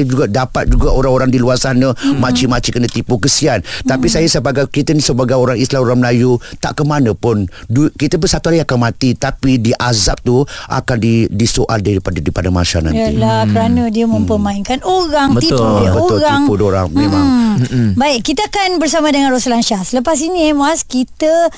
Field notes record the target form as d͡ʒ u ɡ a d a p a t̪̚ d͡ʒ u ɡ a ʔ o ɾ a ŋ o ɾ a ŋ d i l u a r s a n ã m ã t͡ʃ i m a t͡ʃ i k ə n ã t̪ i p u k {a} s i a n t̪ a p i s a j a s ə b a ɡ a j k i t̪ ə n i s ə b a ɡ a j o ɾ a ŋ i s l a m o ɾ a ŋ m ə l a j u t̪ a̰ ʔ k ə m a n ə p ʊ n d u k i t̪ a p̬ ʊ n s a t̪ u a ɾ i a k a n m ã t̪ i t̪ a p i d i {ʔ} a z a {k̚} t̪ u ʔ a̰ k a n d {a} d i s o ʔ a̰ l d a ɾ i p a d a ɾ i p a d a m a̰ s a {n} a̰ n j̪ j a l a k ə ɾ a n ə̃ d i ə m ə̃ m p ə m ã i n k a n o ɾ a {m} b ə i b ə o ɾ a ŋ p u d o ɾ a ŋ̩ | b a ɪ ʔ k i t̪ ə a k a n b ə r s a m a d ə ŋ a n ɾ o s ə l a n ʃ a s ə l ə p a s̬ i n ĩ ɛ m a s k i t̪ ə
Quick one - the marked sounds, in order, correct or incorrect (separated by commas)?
incorrect, correct, incorrect, incorrect, correct, incorrect